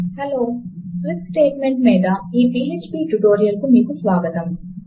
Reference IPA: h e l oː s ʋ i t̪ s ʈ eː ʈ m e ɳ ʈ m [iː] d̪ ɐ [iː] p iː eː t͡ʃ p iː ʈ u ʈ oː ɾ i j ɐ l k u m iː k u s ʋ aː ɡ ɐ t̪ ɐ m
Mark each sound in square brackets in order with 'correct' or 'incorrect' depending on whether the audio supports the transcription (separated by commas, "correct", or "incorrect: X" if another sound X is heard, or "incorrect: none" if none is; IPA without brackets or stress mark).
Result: correct, correct